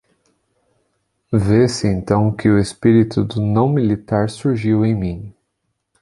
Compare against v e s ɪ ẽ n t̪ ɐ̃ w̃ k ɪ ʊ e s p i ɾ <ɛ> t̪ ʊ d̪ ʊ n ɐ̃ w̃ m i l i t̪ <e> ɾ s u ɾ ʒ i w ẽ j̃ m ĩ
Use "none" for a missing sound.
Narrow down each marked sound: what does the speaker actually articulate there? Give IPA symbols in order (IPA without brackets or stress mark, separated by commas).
i, a